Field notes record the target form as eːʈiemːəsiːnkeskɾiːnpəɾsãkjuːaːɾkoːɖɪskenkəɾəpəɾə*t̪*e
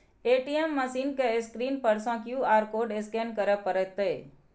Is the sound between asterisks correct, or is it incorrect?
correct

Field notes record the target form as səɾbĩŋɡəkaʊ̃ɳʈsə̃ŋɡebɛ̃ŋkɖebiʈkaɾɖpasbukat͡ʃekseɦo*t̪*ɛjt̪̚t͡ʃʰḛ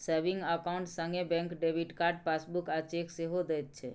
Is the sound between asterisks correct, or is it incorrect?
incorrect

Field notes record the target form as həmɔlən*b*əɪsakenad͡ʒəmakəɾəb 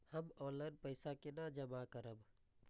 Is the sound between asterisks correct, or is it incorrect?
incorrect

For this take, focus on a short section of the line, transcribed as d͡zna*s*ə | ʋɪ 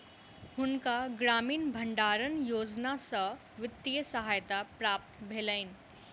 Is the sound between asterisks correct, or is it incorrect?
correct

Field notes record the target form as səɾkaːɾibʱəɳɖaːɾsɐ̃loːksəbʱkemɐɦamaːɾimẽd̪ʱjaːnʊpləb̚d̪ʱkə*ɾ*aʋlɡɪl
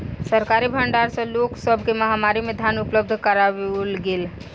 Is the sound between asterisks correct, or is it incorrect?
correct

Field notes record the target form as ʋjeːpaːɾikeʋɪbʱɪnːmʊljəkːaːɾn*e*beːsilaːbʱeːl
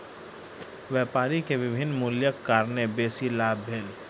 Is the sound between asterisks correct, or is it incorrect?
correct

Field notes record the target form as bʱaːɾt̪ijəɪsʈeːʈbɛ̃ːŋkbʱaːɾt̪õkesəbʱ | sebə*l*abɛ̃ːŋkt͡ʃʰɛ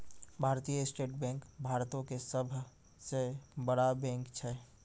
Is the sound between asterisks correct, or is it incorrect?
incorrect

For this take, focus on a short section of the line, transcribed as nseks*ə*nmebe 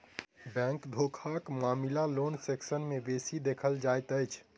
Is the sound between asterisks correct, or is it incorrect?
correct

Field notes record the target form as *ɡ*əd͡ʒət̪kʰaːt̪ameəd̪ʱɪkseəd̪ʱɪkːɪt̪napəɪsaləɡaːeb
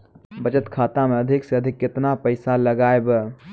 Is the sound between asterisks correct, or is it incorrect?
incorrect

